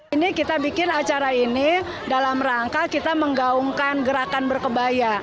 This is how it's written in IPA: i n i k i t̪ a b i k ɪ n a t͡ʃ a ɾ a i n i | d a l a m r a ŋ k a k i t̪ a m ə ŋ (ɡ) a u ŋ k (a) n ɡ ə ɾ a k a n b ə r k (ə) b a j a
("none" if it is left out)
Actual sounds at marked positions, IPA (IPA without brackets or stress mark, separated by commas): ɡ, a, ə